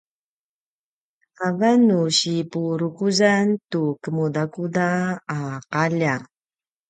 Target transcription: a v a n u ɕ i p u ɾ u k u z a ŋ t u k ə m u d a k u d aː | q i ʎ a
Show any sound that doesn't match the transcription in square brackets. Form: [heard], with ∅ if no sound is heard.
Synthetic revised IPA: a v a n u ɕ i p u ɾ u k u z a [n] t u k ə m u d a k u d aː | q [a] ʎ a